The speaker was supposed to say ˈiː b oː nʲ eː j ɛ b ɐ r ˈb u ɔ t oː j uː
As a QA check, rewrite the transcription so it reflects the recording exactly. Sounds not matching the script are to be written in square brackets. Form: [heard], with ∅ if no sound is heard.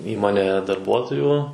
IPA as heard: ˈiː [m] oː nʲ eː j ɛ [d] ɐ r ˈb u ɔ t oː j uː